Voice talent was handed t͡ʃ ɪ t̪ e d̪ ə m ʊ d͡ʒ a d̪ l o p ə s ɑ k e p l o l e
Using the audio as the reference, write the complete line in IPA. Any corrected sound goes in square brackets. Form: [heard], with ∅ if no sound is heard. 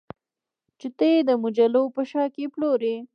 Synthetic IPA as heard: t͡ʃ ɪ t̪ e d̪ ə m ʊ d͡ʒ a [∅] l o p ə [ʃ] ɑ k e p l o [ɾ] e